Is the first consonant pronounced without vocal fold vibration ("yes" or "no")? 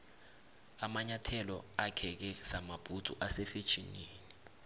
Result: no